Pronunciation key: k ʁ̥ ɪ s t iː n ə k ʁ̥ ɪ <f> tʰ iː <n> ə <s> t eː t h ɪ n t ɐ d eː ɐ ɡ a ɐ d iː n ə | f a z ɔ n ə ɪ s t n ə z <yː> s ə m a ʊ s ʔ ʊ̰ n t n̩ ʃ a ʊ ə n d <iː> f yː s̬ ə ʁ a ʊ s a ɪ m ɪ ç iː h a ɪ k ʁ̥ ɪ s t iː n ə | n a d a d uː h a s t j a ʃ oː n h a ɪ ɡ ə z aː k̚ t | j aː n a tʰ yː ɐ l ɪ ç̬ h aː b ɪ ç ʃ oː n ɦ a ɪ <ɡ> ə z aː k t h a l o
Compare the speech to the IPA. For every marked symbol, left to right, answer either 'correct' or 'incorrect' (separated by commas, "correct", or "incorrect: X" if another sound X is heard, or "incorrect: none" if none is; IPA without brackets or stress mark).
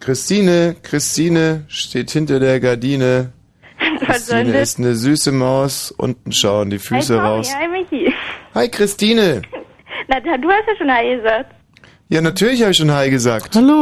incorrect: s, correct, incorrect: ʃ, correct, correct, correct